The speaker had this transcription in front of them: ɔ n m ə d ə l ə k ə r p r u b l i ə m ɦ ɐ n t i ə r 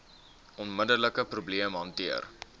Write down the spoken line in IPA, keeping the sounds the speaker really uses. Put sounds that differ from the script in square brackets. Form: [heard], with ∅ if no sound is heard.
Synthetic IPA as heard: ɔ n m ə d ə l ə k ə [∅] p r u b l i ə m ɦ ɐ n t i ə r